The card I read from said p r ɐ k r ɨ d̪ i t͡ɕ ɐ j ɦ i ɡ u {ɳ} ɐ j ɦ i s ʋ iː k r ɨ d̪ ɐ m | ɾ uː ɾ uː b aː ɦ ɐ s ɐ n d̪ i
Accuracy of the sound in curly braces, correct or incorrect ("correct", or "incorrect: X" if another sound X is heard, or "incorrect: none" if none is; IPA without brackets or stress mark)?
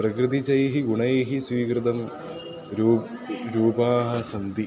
correct